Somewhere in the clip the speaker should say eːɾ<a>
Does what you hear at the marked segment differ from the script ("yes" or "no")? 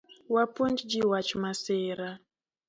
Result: no